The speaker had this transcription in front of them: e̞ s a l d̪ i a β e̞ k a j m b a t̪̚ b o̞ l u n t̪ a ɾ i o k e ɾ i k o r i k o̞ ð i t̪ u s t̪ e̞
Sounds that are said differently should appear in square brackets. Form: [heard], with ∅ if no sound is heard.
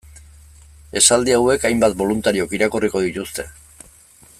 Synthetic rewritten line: e̞ s a l d̪ i a [w] e̞ k a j m b a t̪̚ b o̞ l u n t̪ a ɾ i o k [i] ɾ [a] k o r i k o̞ ð i t̪ u s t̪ e̞